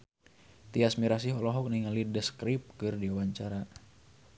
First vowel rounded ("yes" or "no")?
no